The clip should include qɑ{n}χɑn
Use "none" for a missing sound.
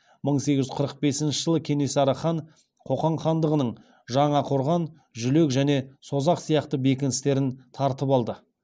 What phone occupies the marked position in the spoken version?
ɴ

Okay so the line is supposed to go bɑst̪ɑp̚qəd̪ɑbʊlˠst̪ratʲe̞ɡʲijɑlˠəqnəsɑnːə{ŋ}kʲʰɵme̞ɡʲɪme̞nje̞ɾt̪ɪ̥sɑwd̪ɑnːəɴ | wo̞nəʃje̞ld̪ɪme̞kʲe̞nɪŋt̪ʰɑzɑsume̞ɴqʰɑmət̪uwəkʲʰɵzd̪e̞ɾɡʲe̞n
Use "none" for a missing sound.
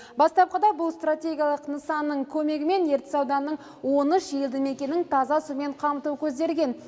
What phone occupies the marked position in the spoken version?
ɴ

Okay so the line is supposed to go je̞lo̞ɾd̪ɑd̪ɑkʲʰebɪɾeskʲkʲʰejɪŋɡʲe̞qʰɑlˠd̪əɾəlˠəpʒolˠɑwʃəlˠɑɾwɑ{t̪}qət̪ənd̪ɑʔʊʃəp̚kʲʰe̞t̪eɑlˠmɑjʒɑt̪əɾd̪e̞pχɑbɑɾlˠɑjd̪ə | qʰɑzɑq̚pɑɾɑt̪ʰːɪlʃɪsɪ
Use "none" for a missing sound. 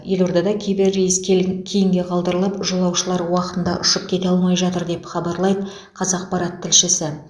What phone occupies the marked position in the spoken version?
none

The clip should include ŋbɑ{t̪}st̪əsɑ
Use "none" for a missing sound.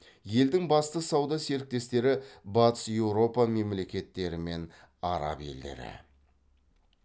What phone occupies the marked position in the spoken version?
none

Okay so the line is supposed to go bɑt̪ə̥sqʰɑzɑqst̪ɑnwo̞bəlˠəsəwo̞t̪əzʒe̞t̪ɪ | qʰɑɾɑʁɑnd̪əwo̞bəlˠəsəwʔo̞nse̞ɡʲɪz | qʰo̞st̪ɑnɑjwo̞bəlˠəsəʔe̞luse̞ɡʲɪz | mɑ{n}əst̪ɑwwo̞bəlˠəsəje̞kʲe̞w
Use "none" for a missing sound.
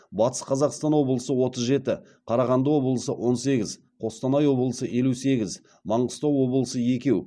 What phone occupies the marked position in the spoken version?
ɴ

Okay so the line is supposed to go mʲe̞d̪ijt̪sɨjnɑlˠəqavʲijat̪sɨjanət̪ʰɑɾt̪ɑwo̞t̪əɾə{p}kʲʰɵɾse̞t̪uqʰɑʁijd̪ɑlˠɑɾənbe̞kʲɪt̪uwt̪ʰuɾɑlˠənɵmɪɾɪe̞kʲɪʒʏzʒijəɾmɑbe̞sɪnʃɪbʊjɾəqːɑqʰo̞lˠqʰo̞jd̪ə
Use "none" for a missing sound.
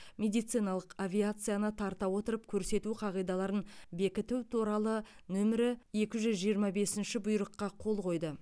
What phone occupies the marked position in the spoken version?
p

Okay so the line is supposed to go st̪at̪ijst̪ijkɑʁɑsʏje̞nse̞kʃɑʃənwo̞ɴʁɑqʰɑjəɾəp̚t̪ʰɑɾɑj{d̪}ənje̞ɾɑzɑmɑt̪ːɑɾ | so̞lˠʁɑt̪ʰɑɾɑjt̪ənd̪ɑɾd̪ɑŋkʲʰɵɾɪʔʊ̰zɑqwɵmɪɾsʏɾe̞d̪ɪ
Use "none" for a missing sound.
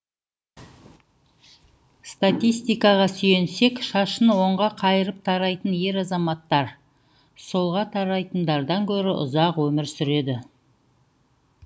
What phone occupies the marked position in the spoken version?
t̪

